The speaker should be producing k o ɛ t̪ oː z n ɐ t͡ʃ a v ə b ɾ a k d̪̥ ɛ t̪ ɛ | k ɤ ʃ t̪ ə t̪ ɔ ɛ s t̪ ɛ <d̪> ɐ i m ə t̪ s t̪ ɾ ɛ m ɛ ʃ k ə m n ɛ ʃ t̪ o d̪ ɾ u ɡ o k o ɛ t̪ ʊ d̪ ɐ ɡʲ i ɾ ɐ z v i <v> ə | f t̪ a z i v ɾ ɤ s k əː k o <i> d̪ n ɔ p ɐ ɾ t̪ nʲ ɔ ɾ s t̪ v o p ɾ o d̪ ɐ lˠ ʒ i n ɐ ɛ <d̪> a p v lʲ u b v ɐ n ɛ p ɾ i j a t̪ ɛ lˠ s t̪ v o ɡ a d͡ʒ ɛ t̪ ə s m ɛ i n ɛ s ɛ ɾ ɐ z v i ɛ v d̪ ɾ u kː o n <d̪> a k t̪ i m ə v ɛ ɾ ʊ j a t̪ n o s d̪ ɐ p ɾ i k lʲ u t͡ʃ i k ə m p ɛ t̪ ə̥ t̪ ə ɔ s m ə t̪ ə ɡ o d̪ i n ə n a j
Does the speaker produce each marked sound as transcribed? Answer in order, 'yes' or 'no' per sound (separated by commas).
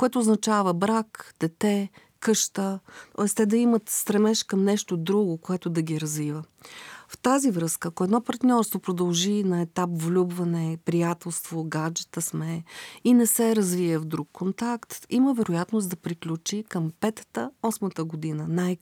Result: yes, yes, no, no, no